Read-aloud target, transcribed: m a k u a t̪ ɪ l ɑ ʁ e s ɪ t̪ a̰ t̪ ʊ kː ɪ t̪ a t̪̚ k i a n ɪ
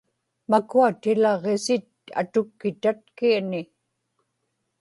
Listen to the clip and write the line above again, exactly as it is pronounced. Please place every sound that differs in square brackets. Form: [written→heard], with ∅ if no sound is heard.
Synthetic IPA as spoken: m a k u a t̪ ɪ l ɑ ʁ e s ɪ t̪ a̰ t̪ ʊ kː ɪ t̪ a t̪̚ k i a n ɪ

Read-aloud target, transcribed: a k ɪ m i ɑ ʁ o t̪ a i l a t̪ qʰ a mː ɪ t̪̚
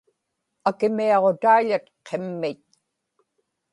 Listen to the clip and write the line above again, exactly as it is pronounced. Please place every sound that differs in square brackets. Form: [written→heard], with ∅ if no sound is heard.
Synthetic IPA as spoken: a k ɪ m i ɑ ʁ o t̪ a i [l→ʎ] a t̪ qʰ [a→e] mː ɪ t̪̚

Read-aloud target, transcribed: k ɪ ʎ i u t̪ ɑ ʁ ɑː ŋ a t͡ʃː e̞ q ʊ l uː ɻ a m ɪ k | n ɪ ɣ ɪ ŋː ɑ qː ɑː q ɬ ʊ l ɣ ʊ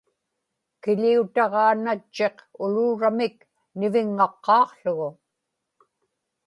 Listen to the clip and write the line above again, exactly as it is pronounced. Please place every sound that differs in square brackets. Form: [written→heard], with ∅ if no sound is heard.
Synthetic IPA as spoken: k ɪ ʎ i u t̪ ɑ ʁ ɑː [ŋ→n] a t͡ʃː e̞ q ʊ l uː ɻ a m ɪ k | n ɪ [ɣ→v] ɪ ŋː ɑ qː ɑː q ɬ ʊ [l→∅] ɣ ʊ

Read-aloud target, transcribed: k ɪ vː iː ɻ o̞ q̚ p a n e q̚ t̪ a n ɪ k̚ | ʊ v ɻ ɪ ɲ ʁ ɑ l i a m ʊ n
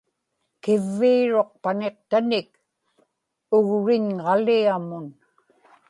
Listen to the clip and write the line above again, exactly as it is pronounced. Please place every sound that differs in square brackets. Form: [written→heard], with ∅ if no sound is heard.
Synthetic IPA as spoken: k ɪ vː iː ɻ o̞ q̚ p a n e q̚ t̪ a n ɪ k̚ | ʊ [v→ɣ] ɻ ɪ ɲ ʁ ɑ l i a m ʊ n

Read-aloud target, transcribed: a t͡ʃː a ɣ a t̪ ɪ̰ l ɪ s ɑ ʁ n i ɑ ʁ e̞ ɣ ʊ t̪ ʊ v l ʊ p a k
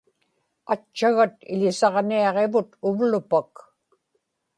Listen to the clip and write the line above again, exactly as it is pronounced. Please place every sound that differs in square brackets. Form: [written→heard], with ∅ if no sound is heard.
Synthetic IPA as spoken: a t͡ʃː a ɣ a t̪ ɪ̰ [l→ʎ] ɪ s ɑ ʁ n i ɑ ʁ e̞ [ɣ→v] ʊ t̪ ʊ v l ʊ p a k

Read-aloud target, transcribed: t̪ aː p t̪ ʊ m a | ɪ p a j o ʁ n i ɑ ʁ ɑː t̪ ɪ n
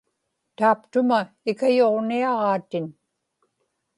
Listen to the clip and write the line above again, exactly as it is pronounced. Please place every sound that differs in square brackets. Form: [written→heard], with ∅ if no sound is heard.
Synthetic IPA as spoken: t̪ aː p t̪ ʊ m a | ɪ [p→k] a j o ʁ n i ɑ ʁ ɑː t̪ ɪ n

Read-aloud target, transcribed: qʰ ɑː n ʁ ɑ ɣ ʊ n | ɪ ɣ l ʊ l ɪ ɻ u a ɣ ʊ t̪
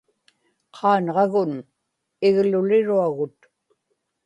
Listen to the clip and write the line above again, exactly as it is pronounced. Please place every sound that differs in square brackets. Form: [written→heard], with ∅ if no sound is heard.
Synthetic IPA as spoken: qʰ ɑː n ʁ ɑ ɣ ʊ n | ɪ ɣ l ʊ l ɪ ɻ u a ɣ ʊ t̪

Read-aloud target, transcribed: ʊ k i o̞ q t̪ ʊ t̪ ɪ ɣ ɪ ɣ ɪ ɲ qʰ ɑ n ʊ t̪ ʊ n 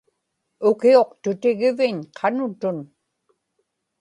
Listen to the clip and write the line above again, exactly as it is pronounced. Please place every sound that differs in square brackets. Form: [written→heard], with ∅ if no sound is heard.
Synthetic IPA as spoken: ʊ k i o̞ q t̪ ʊ t̪ ɪ ɣ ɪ [ɣ→v] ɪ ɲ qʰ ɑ n ʊ t̪ ʊ n

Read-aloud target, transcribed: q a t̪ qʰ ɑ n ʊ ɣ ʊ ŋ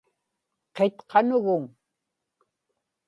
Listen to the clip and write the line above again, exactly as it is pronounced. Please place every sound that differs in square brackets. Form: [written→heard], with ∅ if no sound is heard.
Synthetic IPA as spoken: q [a→e] t̪ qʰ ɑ n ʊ ɣ ʊ ŋ

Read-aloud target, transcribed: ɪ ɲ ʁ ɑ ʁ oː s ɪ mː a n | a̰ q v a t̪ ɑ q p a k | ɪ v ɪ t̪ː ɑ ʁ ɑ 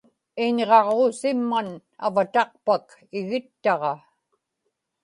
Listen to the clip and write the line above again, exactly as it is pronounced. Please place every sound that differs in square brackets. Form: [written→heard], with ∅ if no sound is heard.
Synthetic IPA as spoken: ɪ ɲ ʁ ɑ ʁ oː s ɪ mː a n | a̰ [q→∅] v a t̪ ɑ q p a k | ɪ [v→ɣ] ɪ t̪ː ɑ ʁ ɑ

